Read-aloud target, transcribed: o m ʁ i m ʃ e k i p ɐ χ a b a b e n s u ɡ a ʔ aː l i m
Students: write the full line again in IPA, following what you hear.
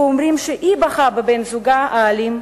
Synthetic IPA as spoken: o m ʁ i m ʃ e ʔ i b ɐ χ a b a b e n z u ɡ a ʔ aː l i m